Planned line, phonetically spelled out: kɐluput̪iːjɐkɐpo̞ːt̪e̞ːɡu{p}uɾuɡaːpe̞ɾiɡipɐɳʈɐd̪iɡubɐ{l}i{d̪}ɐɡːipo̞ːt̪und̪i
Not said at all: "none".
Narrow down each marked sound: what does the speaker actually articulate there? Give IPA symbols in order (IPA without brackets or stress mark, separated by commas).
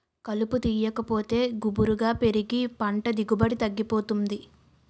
b, ɽ, t̪